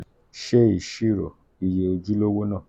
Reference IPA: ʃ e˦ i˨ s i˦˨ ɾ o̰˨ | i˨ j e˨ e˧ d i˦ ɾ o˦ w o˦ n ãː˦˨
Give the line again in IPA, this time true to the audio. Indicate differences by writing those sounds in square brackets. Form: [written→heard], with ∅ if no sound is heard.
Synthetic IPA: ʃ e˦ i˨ [s→ʃ] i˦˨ ɾ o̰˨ | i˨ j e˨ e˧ [d→d͡ʒ] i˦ [ɾ→l] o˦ w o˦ n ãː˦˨